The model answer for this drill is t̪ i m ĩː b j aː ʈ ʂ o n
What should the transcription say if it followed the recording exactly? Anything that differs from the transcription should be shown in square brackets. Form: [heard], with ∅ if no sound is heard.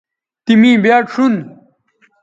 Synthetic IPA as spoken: t̪ i m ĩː b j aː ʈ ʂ [u] n